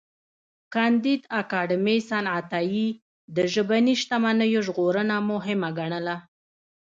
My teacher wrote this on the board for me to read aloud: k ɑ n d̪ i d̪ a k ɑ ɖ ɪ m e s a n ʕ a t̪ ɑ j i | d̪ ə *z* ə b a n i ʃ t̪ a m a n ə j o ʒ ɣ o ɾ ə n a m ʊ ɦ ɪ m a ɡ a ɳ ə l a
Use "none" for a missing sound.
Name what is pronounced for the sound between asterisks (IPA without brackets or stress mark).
ʒ